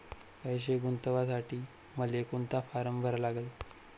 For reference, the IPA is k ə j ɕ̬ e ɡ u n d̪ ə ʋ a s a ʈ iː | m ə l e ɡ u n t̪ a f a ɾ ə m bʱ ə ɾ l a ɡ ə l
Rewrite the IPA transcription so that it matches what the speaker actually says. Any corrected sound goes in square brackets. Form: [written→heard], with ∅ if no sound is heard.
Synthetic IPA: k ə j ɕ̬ e ɡ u n [d̪→t̪] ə ʋ a s a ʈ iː | m ə l e [ɡ→k] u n t̪ a f a ɾ ə m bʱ ə ɾ l a ɡ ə l